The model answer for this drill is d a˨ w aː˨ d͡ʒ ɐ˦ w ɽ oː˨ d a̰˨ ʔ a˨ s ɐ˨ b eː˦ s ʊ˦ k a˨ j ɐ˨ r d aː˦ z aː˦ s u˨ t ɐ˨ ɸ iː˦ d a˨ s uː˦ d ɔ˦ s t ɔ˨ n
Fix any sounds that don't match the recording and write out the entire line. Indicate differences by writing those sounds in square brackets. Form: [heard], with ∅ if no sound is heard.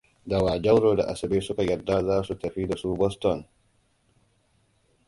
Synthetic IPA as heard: d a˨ w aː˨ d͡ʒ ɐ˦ w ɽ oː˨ d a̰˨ ʔ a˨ s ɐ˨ b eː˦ s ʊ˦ k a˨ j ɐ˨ r d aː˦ z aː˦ s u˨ t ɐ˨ ɸ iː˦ d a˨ s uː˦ [b] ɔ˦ s t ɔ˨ n